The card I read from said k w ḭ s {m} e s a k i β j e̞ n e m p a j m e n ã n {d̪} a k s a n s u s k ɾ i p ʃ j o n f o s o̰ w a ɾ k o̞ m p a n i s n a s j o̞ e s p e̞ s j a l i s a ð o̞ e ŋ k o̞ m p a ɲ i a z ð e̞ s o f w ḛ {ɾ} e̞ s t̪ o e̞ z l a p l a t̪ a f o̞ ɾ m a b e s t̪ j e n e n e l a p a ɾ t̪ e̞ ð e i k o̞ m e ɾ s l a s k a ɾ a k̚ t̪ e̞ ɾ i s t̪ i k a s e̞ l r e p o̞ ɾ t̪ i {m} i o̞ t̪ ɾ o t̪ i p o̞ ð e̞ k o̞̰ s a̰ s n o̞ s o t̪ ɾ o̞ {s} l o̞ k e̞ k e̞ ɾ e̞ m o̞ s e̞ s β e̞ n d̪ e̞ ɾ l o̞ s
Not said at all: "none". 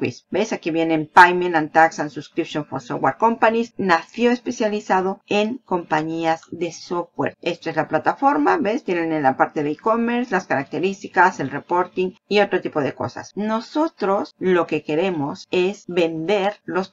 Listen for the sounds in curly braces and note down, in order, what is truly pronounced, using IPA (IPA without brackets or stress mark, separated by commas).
b, t̪, ɾ, ŋ, s